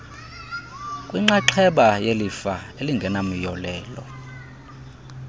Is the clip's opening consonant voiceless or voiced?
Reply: voiceless